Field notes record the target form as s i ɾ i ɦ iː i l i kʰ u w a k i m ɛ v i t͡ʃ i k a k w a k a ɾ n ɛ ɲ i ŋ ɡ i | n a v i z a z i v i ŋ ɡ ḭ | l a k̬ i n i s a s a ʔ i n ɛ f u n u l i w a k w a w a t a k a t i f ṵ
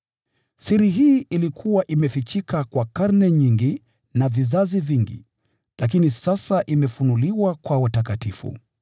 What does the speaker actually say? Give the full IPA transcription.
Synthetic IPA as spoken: s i ɾ i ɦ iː i l i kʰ u w a ʔ i m ɛ f i t͡ʃ i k a k w a k a ɾ n ɛ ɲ i ŋ ɡ i | n a v i z a z i v i ŋ ɡ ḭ | l a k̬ i n i s a s a ʔ i m ɛ f u n u l i w a k w a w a t a k a t i f ṵ